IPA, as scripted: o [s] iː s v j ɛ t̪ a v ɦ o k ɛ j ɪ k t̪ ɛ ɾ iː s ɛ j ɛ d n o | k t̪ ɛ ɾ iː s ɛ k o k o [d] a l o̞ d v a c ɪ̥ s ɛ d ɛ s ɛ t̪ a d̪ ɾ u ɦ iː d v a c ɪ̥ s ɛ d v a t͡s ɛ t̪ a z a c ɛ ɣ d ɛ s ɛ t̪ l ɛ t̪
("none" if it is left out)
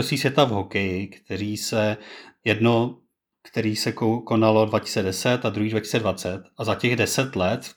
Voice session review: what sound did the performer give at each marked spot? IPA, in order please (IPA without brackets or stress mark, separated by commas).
s, n